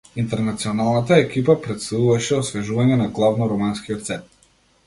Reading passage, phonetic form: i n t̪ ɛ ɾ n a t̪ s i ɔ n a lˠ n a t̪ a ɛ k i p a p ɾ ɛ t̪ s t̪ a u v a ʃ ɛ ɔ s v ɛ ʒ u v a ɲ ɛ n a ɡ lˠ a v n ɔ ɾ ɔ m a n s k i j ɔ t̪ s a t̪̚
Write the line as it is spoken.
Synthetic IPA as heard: i n t̪ ɛ ɾ n a t̪ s i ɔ n a lˠ n a t̪ a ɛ k i p a p ɾ ɛ t̪ s t̪ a u v a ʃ ɛ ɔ s v ɛ ʒ u v a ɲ ɛ n a ɡ lˠ a v n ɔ ɾ ɔ m a n s k i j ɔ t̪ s ɛ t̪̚